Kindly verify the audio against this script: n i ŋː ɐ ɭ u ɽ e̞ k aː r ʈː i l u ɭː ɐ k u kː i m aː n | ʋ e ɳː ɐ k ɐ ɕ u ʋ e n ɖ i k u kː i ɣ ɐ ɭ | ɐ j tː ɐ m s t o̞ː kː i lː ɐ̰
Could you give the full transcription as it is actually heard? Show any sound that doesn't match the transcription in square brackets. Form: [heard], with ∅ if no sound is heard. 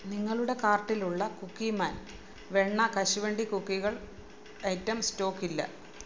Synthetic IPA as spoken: n i ŋː ɐ ɭ u ɽ e̞ k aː r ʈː i l u ɭː ɐ k u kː i m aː n | ʋ e ɳː ɐ k ɐ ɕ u ʋ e [ɳ] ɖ i k u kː i ɣ ɐ ɭ | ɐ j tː ɐ m s t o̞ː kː i lː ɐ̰

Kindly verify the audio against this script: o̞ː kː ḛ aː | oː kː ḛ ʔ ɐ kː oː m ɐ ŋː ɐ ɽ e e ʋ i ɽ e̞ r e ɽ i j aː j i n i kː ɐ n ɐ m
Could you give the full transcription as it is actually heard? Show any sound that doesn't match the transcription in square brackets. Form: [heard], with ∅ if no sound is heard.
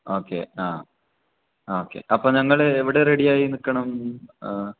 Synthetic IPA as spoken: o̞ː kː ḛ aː | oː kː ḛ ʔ ɐ [pː] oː [ɲ] ɐ ŋː ɐ [ɭ] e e ʋ i ɽ e̞ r e ɽ i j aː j i n i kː ɐ [ɳ] ɐ m

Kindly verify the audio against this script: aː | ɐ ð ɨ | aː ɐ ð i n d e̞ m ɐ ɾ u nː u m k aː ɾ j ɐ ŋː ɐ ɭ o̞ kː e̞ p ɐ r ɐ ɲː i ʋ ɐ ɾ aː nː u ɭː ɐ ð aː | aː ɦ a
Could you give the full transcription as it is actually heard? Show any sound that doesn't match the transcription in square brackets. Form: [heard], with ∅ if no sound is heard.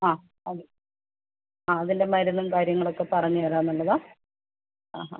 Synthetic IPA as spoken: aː | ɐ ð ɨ | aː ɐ ð i n d e̞ m ɐ ɾ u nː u m k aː ɾ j ɐ ŋː ɐ ɭ o̞ kː e̞ p ɐ r ɐ ɲː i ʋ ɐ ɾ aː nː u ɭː ɐ ð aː | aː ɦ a

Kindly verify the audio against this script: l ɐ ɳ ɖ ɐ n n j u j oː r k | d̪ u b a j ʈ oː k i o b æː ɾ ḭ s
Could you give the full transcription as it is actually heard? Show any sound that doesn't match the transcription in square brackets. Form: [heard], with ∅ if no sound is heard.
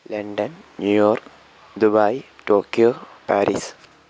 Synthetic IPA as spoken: l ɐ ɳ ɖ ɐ n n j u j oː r k | d̪ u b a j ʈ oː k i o [p] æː ɾ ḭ s

